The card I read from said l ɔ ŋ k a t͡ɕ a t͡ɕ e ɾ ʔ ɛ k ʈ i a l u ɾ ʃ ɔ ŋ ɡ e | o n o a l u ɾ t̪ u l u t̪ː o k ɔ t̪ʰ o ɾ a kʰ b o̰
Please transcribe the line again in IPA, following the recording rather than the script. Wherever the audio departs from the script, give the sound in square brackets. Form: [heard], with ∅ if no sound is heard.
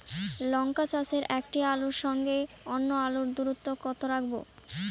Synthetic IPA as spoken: l ɔ ŋ k a t͡ɕ a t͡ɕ e ɾ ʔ ɛ k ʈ i a l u ɾ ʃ ɔ ŋ ɡ e | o [nː] o a l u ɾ [d̪] u [ɾ] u t̪ː o k ɔ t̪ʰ o ɾ a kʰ b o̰

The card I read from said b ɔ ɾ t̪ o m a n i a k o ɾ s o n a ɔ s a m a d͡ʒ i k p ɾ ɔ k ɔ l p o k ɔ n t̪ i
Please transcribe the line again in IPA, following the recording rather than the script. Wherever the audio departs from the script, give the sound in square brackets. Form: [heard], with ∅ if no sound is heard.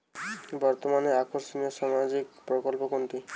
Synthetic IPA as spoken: b ɔ ɾ t̪ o m a n [e] a k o ɾ s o n [i] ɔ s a m a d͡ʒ i k p ɾ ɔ k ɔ l p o k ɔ n t̪ i

